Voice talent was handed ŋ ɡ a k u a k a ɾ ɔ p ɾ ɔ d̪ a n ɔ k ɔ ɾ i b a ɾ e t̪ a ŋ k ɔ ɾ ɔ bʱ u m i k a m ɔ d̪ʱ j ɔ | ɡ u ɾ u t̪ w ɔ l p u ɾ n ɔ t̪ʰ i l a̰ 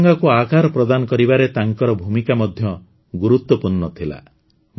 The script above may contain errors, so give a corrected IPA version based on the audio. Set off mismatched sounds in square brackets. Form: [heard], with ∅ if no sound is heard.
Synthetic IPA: ŋ ɡ a k u a k a ɾ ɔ p ɾ ɔ d̪ a n ɔ k ɔ ɾ i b a ɾ e t̪ a ŋ k ɔ ɾ ɔ bʱ u m i k a m ɔ d̪ʱ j ɔ | ɡ u ɾ u t̪ w ɔ [∅] p u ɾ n ɔ t̪ʰ i l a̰